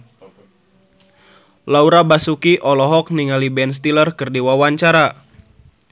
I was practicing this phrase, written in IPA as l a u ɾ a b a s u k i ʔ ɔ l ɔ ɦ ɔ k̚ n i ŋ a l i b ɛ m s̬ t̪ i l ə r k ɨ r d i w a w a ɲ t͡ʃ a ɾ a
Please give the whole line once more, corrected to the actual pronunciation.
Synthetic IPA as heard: l a u ɾ a b a s u k i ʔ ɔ l ɔ ɦ ɔ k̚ n i ŋ a l i b ɛ n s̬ t̪ i l ə r k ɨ r d i w a w a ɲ t͡ʃ a ɾ a